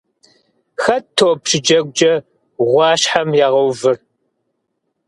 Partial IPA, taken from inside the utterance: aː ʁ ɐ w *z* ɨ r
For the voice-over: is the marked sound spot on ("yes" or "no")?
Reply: no